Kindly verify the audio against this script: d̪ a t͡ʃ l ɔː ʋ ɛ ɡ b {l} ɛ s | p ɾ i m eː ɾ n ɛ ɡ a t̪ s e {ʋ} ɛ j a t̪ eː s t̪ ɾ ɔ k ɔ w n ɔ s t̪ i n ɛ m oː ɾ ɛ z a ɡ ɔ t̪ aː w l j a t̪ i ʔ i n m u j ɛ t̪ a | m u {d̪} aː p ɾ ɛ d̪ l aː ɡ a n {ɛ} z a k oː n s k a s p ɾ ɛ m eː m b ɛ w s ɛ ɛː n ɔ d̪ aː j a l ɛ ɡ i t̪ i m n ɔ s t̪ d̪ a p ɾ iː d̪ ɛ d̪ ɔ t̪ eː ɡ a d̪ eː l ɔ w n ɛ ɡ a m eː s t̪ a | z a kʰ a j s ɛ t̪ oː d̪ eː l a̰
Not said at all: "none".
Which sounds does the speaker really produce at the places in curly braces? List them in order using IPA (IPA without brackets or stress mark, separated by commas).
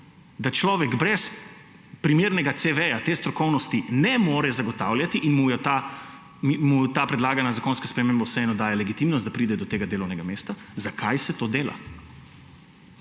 ɾ, ʋ, t̪, a